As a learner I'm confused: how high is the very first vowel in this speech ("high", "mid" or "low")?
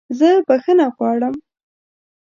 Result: mid